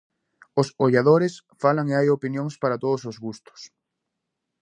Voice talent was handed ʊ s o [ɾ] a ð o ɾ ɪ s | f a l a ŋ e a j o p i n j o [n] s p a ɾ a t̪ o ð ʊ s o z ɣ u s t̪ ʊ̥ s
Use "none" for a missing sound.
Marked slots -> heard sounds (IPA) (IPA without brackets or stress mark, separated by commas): ʎ, ŋ